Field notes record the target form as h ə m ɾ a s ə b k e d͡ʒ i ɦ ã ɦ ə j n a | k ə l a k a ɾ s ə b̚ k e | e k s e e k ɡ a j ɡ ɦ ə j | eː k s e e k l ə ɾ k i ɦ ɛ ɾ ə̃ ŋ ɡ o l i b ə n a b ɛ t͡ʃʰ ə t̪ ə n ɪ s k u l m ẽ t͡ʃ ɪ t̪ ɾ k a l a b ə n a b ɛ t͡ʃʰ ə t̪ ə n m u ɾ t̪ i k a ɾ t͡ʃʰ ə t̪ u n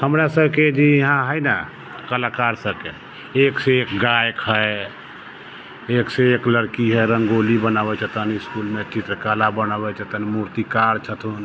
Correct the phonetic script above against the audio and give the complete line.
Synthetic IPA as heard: h ə m ɾ a s ə b k e d͡ʒ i ɦ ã ɦ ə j n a | k ə l a k a ɾ s ə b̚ k e | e k s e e k ɡ a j k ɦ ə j | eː k s e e k l ə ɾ k i ɦ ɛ ɾ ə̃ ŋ ɡ o l i b ə n a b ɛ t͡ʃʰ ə t̪ ə n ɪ s k u l m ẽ t͡ʃ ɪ t̪ ɾ k a l a b ə n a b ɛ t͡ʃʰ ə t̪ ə n m u ɾ t̪ i k a ɾ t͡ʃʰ ə t̪ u n